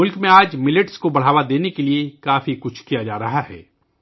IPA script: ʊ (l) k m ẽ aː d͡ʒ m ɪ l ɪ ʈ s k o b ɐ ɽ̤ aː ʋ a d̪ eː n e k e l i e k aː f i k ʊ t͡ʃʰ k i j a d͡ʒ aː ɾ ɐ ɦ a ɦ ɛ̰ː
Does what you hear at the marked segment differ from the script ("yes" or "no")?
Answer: no